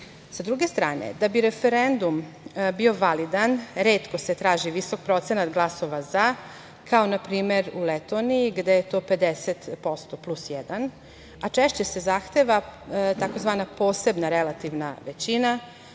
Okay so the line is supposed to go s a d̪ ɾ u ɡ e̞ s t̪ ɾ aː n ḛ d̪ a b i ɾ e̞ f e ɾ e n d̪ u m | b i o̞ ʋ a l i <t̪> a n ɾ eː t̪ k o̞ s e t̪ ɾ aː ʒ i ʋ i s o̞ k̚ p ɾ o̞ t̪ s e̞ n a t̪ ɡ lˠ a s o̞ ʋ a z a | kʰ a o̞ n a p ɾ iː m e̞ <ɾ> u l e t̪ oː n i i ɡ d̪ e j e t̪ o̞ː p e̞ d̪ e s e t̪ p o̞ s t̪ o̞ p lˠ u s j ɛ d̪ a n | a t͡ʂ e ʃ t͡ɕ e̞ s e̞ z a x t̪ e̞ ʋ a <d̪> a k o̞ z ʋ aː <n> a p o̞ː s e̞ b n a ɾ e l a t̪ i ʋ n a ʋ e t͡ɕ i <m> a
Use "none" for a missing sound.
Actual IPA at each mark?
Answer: d̪, ɾ, t̪, n, n

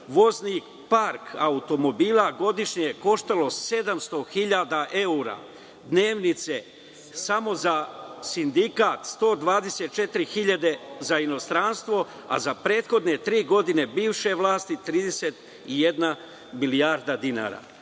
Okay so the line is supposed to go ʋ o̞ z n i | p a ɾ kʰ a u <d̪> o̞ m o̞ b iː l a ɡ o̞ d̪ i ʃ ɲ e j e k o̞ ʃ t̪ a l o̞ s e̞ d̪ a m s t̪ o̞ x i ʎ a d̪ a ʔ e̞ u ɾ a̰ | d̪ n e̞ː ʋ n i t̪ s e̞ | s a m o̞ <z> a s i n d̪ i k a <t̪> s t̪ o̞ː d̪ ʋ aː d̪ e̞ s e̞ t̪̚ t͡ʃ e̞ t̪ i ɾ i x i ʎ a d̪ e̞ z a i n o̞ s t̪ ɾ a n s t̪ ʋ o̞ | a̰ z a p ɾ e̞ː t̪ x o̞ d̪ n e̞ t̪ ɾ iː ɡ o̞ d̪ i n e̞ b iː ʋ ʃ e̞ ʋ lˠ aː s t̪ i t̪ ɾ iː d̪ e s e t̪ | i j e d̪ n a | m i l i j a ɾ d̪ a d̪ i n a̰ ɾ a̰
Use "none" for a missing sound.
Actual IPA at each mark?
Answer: t̪, z, t̪

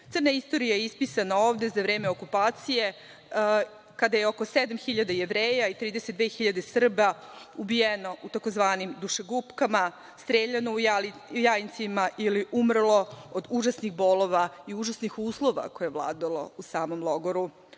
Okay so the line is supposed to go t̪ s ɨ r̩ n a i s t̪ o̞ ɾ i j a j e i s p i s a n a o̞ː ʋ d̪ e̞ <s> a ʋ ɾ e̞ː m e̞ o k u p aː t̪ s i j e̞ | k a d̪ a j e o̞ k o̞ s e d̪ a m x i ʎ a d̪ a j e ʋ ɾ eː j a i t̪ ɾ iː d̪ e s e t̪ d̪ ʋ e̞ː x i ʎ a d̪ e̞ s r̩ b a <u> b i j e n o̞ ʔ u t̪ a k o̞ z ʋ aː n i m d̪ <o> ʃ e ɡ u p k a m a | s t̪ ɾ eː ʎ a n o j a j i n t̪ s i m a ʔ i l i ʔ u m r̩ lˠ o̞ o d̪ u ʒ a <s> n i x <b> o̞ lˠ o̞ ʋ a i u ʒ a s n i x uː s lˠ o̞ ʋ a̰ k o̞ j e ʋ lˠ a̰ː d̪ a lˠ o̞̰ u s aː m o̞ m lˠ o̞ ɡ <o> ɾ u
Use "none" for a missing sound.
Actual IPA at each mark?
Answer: z, u, u, s, b, o

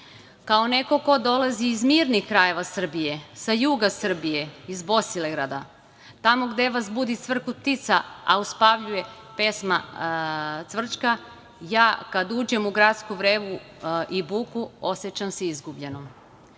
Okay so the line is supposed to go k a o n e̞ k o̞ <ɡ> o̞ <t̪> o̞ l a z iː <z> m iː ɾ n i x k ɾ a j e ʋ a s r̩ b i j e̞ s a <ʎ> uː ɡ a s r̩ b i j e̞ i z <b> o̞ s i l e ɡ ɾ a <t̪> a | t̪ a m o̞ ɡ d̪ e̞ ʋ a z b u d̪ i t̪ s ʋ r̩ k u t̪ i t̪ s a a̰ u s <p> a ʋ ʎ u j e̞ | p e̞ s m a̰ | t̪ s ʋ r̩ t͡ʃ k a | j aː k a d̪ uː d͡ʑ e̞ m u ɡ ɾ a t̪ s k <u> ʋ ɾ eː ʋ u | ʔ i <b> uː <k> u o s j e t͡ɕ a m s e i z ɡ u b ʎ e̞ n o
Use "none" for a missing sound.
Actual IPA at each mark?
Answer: k, d̪, z, j, b, d̪, p, u, b, k

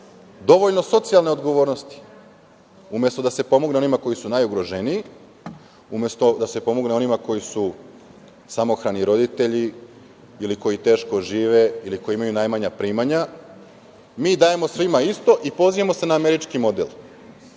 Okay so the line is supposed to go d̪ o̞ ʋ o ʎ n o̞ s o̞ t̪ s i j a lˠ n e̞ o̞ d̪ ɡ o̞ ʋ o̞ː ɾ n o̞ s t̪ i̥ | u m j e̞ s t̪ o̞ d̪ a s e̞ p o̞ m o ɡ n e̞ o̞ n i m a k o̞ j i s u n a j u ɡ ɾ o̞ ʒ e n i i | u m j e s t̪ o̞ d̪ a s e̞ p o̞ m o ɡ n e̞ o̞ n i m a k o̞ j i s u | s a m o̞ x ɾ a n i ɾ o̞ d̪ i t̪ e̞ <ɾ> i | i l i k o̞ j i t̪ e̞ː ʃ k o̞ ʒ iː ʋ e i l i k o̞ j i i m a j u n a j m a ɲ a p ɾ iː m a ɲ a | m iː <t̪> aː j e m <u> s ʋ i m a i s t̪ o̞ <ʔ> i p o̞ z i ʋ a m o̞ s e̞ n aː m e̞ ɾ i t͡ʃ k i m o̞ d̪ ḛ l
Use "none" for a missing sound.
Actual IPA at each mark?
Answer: ʎ, d̪, o, ʔ

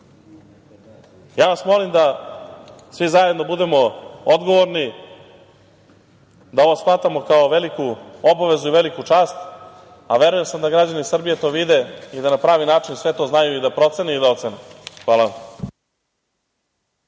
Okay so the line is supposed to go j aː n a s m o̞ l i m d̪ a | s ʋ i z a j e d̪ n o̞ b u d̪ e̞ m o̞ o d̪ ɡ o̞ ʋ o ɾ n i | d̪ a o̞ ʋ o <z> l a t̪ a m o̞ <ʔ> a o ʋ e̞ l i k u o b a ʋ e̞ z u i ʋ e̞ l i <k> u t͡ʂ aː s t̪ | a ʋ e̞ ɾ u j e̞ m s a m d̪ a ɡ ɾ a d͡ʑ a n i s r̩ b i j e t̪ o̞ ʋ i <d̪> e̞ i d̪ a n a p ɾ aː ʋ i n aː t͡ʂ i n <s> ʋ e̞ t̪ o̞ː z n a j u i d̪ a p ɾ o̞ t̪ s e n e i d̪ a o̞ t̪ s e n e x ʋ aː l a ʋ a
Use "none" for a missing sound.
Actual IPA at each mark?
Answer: s, k, k, d̪, s

